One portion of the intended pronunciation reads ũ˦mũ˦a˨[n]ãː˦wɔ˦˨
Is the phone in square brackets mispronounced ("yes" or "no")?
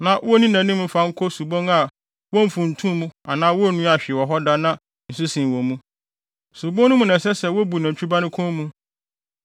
no